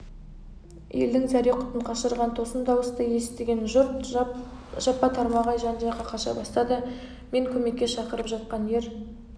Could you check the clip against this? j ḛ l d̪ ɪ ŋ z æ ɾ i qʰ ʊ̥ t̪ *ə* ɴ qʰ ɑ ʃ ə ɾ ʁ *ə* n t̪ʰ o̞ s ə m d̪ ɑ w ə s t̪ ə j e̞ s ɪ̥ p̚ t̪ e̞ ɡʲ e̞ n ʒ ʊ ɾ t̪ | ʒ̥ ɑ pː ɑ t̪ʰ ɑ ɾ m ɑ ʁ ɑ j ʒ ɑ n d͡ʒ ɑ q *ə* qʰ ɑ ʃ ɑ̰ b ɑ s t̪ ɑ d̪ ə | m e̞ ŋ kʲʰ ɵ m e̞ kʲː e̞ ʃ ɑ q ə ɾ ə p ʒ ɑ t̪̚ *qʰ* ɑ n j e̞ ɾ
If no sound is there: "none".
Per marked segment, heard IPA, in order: ə, ɑ, ɑ, q

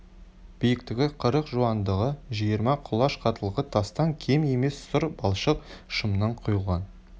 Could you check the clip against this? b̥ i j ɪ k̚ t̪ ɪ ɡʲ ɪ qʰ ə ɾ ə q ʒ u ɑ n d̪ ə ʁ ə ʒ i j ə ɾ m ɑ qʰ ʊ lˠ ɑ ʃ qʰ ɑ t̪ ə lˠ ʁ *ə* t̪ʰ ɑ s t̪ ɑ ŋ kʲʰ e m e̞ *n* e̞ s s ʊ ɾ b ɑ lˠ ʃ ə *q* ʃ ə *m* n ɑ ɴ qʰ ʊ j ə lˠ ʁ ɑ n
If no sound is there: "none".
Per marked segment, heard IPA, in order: ə, m, q, m

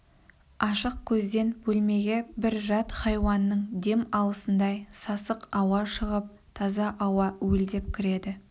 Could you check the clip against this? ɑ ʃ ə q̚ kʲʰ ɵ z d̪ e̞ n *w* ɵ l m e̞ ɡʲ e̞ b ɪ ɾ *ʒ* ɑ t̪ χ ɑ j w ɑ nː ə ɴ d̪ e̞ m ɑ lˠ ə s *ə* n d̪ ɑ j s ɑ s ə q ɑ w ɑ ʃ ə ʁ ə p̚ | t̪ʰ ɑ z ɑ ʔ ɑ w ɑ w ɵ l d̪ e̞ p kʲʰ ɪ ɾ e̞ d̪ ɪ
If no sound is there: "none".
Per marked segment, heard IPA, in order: b, ʒ, ə

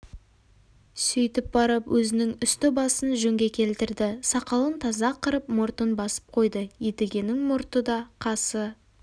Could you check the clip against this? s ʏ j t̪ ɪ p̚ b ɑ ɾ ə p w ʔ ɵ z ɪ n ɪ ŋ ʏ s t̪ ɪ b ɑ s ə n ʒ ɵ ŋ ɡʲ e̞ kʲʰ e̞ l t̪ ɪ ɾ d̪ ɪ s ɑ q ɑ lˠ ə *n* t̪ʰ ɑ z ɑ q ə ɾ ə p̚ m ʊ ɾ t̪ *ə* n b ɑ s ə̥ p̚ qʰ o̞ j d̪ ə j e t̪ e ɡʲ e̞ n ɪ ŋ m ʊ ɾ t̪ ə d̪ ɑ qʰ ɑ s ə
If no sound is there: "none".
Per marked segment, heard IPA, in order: n, ə

